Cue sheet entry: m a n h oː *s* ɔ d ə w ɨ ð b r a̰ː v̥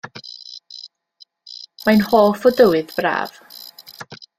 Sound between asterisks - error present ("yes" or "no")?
yes